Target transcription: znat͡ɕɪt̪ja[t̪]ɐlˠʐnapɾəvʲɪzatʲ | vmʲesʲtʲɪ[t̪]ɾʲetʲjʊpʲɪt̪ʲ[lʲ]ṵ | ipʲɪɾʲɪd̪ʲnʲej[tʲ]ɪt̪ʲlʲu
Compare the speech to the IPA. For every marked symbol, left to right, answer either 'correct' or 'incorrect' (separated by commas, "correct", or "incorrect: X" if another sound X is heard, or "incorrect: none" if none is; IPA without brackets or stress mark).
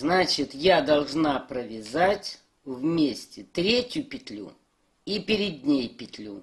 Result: incorrect: d̪, correct, correct, incorrect: pʲ